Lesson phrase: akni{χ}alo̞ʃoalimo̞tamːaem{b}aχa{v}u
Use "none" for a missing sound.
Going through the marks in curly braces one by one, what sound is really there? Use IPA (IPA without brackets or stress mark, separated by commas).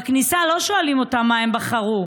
s, b, ʁ